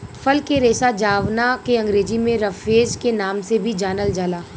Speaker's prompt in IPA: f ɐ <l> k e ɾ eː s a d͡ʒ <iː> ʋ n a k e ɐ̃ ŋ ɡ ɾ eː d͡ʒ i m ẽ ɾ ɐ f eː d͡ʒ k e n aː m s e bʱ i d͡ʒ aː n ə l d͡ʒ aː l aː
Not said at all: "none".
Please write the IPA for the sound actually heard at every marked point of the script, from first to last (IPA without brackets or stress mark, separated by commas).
l, aː